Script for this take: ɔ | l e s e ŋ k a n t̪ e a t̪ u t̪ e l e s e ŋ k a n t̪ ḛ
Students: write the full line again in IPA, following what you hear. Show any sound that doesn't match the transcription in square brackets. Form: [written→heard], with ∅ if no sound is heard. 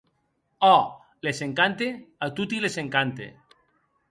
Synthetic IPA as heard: ɔ | l e s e ŋ k a n t̪ e a t̪ u t̪ [e→i] l e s e ŋ k a n t̪ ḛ